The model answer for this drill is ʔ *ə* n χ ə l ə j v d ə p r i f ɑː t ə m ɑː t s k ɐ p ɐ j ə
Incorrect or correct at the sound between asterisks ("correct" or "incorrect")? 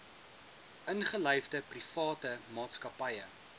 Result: correct